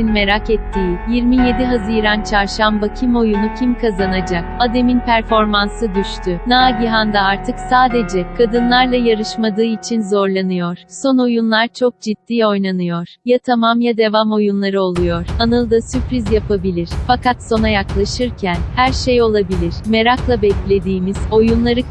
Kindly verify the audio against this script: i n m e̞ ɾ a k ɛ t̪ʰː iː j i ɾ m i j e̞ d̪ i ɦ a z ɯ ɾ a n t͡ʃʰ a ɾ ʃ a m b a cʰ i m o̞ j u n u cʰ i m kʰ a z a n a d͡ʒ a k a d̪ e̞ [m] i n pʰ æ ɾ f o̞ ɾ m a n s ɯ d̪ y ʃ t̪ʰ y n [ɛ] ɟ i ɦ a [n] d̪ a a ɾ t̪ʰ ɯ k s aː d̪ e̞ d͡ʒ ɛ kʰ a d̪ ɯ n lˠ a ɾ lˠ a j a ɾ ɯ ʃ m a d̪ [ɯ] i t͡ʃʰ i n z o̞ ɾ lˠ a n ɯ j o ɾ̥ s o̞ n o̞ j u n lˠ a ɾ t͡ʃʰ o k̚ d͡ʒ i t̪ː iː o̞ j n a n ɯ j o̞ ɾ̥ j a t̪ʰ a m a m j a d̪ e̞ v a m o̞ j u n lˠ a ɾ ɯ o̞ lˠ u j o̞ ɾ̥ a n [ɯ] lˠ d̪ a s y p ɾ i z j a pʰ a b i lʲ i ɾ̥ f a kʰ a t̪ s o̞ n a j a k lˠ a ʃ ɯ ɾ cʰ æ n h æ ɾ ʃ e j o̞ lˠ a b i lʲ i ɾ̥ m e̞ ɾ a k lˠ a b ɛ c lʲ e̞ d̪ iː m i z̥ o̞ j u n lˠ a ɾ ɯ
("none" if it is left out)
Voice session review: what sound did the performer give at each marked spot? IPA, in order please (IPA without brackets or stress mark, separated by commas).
m, a, n, ɯː, ɯ